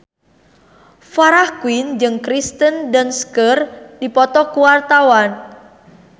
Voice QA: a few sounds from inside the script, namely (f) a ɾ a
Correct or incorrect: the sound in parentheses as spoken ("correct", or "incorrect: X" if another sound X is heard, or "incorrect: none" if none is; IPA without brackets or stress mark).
correct